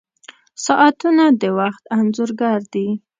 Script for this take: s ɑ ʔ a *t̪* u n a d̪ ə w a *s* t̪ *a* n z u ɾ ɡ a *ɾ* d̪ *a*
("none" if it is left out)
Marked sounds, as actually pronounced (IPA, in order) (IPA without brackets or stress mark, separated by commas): t̪, x, a, ɾ, i